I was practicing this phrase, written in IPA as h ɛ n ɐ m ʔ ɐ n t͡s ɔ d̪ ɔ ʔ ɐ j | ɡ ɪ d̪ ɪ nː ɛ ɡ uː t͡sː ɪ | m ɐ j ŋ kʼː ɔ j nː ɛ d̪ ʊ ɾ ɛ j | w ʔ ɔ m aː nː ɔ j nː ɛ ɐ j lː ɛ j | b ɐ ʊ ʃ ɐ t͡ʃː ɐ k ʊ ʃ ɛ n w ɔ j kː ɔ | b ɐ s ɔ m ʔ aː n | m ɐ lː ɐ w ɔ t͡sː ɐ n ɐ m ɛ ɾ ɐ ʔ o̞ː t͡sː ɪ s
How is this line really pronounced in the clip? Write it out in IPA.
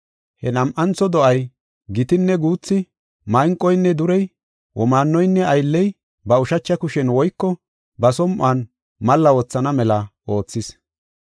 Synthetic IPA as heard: h ɛ n ɐ m ʔ ɐ n t͡s ɔ d̪ ɔ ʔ ɐ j | ɡ ɪ t̪ ɪ nː ɛ ɡ uː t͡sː ɪ | m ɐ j ŋ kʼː ɔ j nː ɛ d̪ ʊ ɾ ɛ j | w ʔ ɔ m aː nː ɔ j nː ɛ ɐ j lː ɛ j | b ɐ ʊ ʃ ɐ t͡ʃː ɐ k ʊ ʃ ɛ n w ɔ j kː ɔ | b ɐ s ɔ m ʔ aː n | m ɐ lː ɐ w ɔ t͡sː ɐ n ɐ m ɛ l ɐ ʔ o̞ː t͡sː ɪ s

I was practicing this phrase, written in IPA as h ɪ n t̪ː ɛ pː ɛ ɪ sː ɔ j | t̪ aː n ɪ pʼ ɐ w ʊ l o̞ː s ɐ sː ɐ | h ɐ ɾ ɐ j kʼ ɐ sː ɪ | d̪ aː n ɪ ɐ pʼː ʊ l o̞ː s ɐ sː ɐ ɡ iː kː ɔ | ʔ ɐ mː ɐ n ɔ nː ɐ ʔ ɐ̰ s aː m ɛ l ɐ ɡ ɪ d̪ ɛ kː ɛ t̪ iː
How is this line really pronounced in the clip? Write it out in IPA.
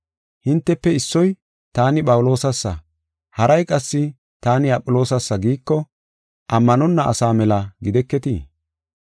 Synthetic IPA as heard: h ɪ n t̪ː ɛ pː ɛ ɪ sː ɔ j | t̪ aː n ɪ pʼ ɐ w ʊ l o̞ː s ɐ sː ɐ | h ɐ ɾ ɐ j kʼ ɐ sː ɪ | t̪ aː n ɪ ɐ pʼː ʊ l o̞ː s ɐ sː ɐ ɡ iː kː ɔ | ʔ ɐ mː ɐ n ɔ nː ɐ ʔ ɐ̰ s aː m ɛ l ɐ ɡ ɪ d̪ ɛ kː ɛ t̪ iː

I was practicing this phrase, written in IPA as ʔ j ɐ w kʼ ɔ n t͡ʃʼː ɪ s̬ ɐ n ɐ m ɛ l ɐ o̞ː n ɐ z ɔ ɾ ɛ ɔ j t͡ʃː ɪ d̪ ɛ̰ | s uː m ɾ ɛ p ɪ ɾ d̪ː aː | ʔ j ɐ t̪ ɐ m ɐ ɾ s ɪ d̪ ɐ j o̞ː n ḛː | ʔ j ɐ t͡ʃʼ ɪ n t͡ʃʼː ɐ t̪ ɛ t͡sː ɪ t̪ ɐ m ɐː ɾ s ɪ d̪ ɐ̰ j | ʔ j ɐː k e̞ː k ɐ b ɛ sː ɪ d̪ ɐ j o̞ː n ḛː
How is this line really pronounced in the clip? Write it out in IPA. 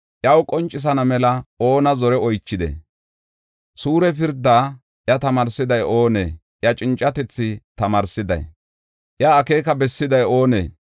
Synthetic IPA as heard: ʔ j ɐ w kʼ ɔ n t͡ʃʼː ɪ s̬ ɐ n ɐ m ɛ l ɐ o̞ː n ɐ z ɔ ɾ ɛ ɔ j t͡ʃː ɪ d̪ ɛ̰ | s uː ɾ ɛ p ɪ ɾ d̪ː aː | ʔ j ɐ t̪ ɐ m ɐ ɾ s ɪ d̪ ɐ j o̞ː n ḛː | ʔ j ɐ t͡ʃʼ ɪ n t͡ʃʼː ɐ t̪ ɛ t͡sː ɪ t̪ ɐ m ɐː ɾ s ɪ d̪ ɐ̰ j | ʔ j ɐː k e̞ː k ɐ b ɛ sː ɪ d̪ ɐ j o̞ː n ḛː

